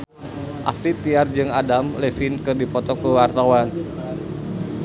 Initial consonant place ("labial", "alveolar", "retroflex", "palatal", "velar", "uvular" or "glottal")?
glottal